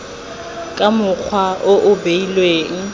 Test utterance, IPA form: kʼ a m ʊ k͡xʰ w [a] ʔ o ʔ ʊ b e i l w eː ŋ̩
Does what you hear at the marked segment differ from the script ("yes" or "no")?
no